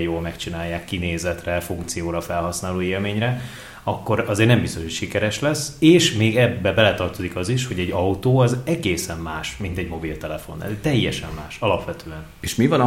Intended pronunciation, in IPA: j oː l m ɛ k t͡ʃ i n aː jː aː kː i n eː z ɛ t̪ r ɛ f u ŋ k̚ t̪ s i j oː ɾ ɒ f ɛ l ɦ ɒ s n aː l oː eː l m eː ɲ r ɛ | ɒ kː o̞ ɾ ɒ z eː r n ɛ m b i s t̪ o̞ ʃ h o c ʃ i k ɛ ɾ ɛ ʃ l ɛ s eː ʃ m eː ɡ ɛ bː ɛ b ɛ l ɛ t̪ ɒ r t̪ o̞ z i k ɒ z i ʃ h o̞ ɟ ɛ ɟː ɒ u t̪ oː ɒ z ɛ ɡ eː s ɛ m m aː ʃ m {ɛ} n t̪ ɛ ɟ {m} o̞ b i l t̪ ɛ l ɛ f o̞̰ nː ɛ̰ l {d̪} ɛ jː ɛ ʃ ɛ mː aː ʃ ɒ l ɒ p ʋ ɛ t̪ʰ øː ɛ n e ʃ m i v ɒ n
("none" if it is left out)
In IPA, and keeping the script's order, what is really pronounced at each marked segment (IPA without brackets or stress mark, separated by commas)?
i, m, t̪